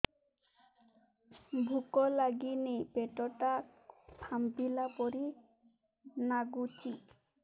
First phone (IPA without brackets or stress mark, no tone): bʱ